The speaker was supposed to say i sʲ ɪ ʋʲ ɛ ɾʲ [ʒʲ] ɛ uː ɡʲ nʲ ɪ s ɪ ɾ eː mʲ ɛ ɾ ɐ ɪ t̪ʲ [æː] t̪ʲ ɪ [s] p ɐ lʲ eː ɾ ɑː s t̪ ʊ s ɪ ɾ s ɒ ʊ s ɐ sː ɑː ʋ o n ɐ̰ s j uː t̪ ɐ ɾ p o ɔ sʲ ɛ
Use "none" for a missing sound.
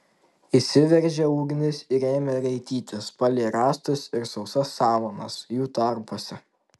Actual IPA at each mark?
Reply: ʒʲ, iː, s

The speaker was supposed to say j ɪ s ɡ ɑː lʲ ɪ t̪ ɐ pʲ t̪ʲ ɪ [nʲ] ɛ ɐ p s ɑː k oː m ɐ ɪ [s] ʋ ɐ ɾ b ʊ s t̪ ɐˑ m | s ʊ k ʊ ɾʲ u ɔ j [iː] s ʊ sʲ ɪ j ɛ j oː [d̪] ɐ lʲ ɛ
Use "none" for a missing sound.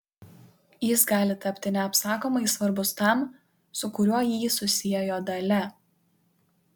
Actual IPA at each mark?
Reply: nʲ, s, iː, d̪

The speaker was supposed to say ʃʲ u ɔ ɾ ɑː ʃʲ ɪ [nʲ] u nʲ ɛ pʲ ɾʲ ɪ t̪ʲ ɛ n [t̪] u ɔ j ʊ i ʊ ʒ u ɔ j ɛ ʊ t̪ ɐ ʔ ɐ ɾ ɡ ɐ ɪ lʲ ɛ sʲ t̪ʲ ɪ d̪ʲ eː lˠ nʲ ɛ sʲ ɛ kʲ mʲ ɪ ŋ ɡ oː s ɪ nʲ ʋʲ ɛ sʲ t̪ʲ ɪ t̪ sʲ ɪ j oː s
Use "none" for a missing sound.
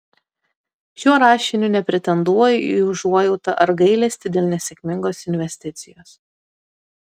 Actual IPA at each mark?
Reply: nʲ, d̪

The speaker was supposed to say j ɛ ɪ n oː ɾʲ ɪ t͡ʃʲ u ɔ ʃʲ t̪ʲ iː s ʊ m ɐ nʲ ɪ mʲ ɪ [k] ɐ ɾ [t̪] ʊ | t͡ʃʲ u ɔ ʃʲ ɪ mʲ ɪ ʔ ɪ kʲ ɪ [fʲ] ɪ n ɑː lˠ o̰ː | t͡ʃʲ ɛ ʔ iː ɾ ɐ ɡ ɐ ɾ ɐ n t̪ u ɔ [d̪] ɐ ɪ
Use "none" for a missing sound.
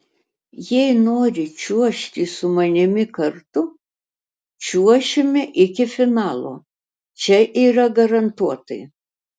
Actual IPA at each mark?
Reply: k, t̪, fʲ, t̪

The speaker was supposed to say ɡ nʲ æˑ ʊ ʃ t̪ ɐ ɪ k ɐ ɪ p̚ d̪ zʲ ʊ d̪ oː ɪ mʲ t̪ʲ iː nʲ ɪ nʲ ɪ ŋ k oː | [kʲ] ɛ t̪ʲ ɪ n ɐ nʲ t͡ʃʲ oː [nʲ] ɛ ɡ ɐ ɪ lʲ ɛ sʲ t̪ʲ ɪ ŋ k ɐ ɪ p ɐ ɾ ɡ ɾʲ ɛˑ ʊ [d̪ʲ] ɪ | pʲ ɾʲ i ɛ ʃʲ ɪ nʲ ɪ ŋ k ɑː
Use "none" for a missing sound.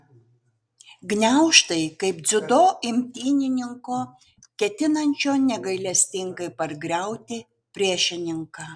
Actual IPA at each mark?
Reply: kʲ, nʲ, t̪ʲ

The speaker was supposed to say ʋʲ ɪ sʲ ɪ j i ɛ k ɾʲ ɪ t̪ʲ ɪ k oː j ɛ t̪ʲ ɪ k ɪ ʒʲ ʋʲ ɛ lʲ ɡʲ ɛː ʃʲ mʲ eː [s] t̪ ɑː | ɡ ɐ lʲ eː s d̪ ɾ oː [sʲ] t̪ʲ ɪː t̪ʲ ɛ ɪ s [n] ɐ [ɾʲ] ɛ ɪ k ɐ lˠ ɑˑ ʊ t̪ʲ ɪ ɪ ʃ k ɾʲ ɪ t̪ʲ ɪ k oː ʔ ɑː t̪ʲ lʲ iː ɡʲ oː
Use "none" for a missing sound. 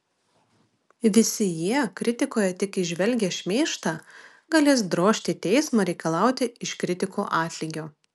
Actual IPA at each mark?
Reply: ʃ, ʃʲ, m, ɾʲ

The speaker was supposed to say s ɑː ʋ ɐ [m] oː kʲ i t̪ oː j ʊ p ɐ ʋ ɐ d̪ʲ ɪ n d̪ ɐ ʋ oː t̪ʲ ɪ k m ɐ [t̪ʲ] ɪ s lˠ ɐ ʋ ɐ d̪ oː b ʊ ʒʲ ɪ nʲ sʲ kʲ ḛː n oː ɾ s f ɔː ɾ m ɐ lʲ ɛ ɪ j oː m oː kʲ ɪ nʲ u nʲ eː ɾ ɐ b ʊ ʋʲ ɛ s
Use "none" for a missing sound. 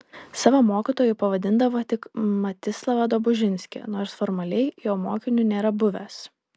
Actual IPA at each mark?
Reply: m, t̪ʲ

